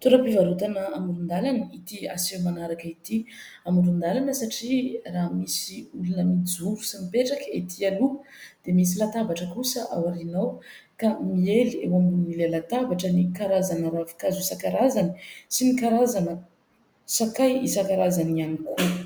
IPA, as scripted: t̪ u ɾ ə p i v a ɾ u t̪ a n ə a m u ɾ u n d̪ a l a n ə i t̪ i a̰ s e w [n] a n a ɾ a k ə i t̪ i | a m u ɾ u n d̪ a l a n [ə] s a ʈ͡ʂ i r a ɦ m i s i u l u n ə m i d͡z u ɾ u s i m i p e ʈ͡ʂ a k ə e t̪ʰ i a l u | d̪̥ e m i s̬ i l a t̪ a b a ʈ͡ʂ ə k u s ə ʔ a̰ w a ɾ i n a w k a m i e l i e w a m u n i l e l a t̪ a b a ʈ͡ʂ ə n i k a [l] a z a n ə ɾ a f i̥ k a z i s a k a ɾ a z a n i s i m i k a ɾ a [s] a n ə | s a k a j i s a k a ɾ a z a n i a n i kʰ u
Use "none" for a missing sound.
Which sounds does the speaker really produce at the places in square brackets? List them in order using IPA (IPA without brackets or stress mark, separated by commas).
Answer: m, ə, ɾ, z